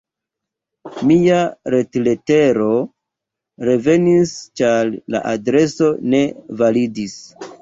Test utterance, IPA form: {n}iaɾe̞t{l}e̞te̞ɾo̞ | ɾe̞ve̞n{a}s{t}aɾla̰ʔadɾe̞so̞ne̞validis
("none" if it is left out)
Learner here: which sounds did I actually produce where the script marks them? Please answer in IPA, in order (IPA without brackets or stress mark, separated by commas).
m, l, i, t͡ʃ